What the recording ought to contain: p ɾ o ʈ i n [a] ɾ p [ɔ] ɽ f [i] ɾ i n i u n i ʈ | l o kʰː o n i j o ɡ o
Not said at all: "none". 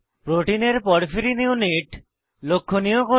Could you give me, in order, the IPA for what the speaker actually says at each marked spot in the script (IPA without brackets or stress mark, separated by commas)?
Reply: e, ɔ, i